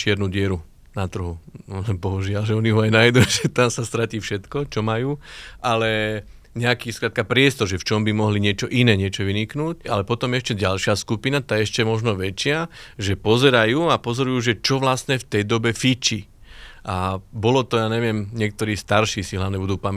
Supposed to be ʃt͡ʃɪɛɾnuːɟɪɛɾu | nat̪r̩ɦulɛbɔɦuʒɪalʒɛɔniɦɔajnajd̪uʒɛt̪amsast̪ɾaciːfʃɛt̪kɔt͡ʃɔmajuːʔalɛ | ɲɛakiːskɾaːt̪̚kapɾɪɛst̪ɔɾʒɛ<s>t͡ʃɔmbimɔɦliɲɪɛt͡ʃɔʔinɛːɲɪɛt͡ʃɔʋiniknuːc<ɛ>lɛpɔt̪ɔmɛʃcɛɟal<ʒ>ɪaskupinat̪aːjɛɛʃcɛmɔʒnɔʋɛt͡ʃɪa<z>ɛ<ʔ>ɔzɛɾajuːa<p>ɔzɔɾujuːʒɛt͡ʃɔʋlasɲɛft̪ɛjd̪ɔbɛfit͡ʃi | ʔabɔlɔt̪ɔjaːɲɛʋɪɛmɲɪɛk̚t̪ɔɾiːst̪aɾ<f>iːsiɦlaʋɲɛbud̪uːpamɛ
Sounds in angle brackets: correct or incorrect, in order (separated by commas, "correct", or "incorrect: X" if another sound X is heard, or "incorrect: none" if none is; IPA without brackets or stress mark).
incorrect: f, incorrect: a, incorrect: ʃ, incorrect: ʒ, incorrect: p, correct, incorrect: ʃ